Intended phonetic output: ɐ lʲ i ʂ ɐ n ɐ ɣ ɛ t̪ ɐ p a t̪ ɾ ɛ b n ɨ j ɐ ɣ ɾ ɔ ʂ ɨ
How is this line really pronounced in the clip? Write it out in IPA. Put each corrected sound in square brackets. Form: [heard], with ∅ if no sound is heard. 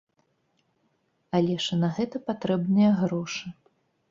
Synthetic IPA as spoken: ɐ lʲ [ɛ] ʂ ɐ n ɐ ɣ ɛ t̪ ɐ p a t̪ ɾ ɛ b n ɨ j ɐ ɣ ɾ ɔ ʂ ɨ